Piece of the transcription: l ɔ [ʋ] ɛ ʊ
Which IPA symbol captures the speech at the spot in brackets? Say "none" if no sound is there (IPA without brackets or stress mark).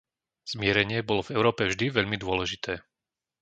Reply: v